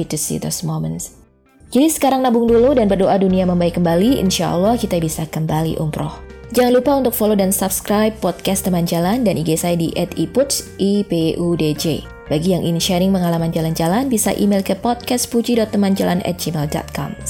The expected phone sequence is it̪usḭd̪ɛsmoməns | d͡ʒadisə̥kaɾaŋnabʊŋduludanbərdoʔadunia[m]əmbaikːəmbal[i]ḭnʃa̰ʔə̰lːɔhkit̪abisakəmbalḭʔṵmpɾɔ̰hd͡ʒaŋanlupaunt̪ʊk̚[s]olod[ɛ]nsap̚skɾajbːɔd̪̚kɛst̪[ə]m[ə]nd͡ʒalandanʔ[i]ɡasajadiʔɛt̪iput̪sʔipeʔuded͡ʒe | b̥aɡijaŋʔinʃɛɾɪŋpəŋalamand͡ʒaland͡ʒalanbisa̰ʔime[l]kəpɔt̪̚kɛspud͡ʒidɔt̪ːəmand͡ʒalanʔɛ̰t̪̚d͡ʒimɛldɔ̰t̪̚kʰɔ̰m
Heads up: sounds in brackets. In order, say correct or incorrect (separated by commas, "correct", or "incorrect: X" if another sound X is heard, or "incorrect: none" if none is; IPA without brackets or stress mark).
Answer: correct, correct, incorrect: f, incorrect: a, correct, incorrect: a, correct, correct